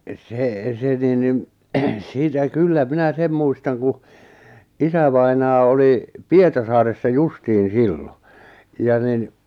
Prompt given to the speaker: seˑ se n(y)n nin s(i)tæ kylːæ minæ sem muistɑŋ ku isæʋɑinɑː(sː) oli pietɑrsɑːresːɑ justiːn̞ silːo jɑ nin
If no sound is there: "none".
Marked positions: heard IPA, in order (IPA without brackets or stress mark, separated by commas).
i, iː, none